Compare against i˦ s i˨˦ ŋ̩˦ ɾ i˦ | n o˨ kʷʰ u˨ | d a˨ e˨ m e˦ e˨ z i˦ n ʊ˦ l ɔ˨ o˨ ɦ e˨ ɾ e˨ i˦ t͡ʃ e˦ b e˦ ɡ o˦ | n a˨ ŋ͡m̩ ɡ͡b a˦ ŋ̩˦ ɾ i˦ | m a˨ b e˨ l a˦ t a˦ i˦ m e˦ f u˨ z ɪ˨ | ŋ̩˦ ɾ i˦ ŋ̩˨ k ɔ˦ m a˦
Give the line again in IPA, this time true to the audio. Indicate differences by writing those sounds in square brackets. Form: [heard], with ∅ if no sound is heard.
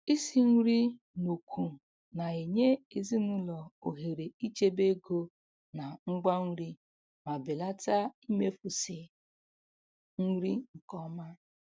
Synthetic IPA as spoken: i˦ s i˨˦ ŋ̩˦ ɾ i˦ | n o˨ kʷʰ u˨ | [n] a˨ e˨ [ɲ] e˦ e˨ z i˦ n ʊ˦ l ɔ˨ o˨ ɦ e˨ ɾ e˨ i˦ t͡ʃ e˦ b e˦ ɡ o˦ | n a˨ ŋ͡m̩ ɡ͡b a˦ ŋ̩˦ ɾ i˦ | m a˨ b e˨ l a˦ t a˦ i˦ m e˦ f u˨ [s] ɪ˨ | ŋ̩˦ ɾ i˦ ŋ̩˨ k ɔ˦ m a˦